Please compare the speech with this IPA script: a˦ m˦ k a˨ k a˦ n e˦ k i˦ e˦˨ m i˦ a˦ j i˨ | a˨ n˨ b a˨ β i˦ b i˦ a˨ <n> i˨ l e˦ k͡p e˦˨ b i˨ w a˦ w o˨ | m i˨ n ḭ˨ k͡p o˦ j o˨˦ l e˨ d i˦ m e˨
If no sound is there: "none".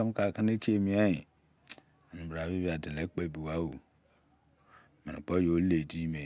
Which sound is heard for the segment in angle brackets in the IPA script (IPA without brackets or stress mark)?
d